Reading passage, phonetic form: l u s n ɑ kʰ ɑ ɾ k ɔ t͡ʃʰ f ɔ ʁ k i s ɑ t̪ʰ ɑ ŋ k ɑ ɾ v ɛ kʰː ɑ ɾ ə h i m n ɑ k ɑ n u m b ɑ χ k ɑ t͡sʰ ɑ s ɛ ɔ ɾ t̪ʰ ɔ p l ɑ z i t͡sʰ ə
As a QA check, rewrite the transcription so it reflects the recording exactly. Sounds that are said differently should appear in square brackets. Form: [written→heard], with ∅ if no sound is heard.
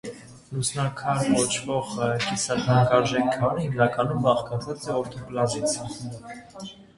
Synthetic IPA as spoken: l u s n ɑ kʰ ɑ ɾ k ɔ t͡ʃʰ [f→v] ɔ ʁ k i s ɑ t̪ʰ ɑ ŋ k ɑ ɾ [v→ʒ] ɛ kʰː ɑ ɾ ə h i m n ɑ k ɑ n u m b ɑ χ k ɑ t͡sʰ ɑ [s→t͡s] ɛ ɔ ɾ t̪ʰ ɔ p l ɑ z i t͡sʰ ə